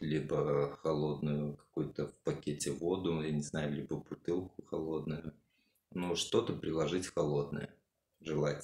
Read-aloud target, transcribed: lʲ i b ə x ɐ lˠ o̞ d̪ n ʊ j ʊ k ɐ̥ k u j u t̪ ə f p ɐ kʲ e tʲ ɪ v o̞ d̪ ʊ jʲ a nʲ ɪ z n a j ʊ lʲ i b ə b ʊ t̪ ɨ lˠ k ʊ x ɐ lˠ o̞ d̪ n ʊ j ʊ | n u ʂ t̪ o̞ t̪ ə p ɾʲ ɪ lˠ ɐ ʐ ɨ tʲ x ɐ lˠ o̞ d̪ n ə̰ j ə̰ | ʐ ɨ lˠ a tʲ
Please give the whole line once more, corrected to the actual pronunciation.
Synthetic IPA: lʲ i b ə x ɐ lˠ o̞ d̪ n ʊ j ʊ k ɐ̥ k u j ʊ t̪ ə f p ɐ kʲ e tʲ ɪ v o̞ d̪ ʊ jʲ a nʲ ɪ z n a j ʊ lʲ i b ə b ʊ t̪ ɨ lˠ k ʊ x ɐ lˠ o̞ d̪ n ʊ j ʊ | n u ʂ t̪ o̞ t̪ ə p ɾʲ ɪ lˠ ɐ ʐ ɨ tʲ x ɐ lˠ o̞ d̪ n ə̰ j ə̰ | ʐ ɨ lˠ a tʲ